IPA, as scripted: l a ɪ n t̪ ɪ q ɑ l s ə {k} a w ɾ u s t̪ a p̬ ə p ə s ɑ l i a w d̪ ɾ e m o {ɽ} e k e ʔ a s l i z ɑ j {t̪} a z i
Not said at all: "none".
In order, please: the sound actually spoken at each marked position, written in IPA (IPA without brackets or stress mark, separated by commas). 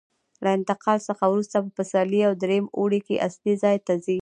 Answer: x, ɽ, t̪